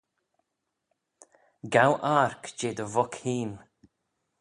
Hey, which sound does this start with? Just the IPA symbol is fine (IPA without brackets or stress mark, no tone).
ɡ